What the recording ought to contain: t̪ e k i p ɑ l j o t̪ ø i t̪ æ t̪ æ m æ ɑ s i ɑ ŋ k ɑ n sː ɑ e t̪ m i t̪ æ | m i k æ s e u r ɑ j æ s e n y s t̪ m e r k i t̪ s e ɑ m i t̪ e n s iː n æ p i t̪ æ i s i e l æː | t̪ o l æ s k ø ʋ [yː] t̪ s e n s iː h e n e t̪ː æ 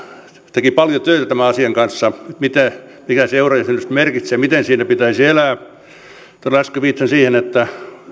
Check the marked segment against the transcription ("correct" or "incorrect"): incorrect